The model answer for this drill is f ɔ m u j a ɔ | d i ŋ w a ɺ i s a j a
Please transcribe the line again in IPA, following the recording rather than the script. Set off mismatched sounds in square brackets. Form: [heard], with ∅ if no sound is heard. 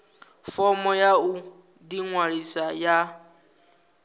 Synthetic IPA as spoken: f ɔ m [ɔ] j a [u] | d i ŋ w a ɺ i s a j a